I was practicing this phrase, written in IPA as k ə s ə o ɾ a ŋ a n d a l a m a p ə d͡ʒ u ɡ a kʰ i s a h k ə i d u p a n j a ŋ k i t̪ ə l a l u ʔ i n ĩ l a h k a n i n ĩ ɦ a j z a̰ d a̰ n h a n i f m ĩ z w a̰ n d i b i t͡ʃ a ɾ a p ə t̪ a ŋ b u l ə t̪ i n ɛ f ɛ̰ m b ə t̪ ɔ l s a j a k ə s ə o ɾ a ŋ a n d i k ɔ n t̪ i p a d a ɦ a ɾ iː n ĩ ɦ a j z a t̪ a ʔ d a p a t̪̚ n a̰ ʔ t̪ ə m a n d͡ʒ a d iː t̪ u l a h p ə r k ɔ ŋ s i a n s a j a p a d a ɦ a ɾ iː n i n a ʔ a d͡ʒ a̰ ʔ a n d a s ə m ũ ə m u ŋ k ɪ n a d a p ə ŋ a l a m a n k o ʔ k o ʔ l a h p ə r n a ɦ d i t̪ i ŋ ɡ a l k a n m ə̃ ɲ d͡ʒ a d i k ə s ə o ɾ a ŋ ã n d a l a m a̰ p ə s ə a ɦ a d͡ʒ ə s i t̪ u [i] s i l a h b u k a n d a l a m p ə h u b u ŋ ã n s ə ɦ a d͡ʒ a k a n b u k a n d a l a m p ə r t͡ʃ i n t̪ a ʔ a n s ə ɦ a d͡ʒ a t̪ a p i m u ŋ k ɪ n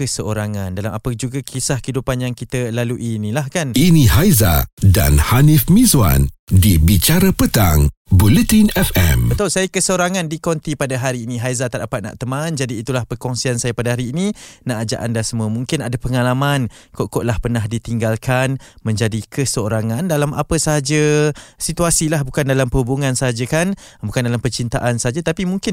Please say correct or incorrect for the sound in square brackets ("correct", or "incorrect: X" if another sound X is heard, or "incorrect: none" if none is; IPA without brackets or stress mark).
incorrect: a